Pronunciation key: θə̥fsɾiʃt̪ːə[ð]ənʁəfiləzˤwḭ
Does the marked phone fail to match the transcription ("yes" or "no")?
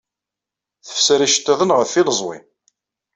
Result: no